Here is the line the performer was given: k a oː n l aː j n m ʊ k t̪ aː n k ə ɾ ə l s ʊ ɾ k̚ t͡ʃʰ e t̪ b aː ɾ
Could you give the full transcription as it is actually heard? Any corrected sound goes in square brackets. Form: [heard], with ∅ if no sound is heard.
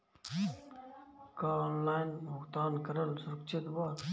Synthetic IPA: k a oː n l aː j n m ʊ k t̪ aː n k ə ɾ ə l s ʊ ɾ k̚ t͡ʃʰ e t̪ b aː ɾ